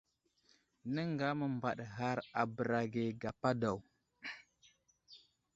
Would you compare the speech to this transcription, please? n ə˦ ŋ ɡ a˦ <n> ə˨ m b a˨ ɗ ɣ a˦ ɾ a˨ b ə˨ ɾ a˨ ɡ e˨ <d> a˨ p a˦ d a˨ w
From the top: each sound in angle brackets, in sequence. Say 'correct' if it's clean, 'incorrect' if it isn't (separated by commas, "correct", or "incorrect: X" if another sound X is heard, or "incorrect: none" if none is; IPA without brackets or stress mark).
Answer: incorrect: m, incorrect: ɡ